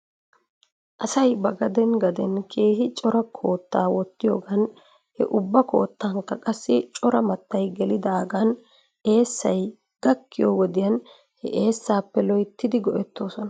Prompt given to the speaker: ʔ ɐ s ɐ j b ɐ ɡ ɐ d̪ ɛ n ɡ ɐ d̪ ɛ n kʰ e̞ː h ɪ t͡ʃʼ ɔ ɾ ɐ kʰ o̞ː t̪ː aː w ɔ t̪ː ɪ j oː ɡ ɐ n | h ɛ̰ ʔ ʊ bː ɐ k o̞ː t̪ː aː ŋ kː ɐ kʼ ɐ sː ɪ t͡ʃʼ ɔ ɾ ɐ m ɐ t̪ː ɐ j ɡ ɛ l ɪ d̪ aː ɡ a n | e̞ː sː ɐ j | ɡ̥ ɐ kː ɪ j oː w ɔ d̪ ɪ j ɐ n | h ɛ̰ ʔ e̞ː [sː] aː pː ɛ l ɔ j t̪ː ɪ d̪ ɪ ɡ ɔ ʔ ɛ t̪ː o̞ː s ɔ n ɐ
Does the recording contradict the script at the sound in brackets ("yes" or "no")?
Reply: no